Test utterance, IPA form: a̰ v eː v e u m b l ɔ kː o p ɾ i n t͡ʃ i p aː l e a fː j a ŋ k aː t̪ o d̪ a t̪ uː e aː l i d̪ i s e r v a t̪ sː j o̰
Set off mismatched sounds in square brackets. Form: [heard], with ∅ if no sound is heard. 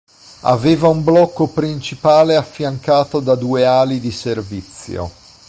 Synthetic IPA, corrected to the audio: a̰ v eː v [a] u m b l ɔ kː o p ɾ i n t͡ʃ i p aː l e a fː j a ŋ k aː t̪ o d̪ a [d̪] uː e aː l i d̪ i s e r v [i] t̪ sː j o̰